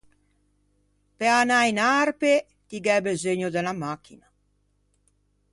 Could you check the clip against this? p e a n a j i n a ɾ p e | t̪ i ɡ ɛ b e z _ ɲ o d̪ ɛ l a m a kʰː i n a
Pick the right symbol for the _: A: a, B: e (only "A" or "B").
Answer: B